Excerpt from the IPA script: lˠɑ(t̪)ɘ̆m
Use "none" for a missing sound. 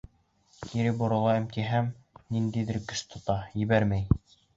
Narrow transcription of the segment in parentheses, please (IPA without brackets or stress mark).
none